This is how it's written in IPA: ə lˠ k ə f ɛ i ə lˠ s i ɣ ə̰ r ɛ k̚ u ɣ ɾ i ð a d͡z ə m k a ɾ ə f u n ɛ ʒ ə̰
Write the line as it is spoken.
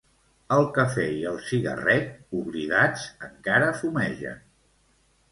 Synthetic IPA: ə lˠ k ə f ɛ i ə lˠ s i ɣ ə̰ r ɛ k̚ u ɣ ɾ i ð a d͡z ə ŋ k a ɾ ə f u m ɛ ʒ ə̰